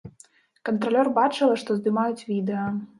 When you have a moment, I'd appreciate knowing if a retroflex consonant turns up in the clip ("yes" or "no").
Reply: yes